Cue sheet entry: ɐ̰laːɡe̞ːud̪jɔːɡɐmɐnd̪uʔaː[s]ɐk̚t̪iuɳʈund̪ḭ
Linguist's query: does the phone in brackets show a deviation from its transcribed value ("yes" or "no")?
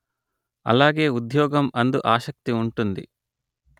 yes